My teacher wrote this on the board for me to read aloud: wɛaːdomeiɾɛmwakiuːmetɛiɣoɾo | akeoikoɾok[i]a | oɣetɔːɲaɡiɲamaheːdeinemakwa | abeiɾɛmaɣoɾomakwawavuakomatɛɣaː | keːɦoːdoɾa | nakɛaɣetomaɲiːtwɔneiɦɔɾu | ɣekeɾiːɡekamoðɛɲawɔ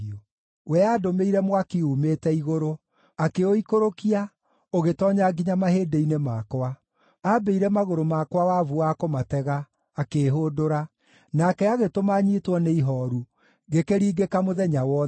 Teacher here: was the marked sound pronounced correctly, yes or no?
yes